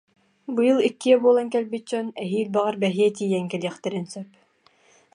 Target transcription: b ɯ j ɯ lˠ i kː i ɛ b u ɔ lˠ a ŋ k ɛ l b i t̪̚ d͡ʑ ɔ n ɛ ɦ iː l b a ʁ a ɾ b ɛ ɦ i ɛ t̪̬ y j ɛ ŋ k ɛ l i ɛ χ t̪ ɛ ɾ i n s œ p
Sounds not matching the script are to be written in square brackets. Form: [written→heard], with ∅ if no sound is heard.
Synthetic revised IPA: b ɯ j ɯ lˠ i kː i ɛ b u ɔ lˠ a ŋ k ɛ l b i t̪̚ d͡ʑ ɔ n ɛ ɦ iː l b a ʁ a ɾ b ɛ ɦ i ɛ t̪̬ [y→i] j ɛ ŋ k ɛ l i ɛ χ t̪ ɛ ɾ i n s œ p